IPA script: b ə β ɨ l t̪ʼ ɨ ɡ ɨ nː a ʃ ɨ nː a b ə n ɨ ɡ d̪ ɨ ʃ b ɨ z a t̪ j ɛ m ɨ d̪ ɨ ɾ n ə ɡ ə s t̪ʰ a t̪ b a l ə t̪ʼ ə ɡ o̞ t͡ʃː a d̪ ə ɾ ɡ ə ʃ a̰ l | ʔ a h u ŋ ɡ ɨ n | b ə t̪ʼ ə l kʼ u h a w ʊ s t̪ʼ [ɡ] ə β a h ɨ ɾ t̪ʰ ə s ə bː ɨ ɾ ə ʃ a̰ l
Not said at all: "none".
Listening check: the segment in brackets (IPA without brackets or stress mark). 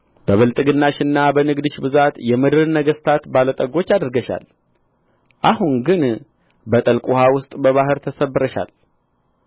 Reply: b